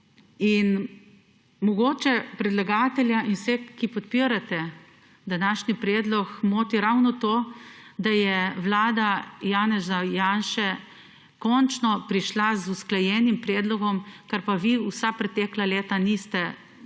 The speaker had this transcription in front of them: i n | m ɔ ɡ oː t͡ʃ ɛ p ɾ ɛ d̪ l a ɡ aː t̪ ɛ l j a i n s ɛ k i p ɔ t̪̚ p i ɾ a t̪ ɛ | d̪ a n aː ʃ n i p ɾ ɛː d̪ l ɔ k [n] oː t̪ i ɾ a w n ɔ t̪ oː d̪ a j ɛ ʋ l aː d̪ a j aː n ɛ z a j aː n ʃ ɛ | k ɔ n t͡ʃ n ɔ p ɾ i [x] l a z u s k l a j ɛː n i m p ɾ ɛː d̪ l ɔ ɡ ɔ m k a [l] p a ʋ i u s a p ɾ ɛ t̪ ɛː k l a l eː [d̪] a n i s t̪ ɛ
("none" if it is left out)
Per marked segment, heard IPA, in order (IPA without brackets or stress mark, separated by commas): m, ʃ, ɾ, t̪